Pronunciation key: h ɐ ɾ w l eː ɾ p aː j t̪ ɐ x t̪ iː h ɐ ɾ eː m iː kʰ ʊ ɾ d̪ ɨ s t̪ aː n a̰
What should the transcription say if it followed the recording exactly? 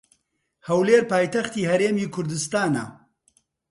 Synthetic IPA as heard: h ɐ w l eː ɾ p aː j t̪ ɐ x t̪ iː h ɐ ɾ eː m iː kʰ ʊ ɾ d̪ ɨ s t̪ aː n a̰